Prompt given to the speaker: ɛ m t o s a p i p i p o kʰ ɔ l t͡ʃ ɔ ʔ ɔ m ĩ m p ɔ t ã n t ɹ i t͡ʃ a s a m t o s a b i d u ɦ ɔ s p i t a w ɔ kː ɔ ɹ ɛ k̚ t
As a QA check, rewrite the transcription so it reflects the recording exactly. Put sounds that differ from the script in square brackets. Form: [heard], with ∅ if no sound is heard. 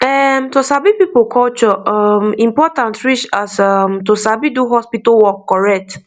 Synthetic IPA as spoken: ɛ m t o s a [b] i p i p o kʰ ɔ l t͡ʃ ɔ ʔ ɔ m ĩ m p ɔ t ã n t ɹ i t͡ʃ a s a m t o s a b i d u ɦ ɔ s p i t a w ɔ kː ɔ ɹ ɛ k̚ t